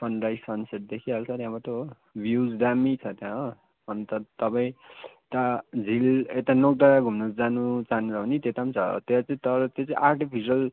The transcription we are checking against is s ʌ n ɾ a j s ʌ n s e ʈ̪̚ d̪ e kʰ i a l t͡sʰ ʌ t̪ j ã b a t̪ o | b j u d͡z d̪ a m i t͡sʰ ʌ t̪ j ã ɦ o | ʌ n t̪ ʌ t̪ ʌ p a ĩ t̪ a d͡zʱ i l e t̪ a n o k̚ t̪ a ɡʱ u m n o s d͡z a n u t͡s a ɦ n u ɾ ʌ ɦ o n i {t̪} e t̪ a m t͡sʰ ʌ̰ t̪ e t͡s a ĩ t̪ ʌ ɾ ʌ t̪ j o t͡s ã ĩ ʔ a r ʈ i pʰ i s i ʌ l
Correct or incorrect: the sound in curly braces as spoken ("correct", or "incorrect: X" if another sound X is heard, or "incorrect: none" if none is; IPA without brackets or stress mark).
correct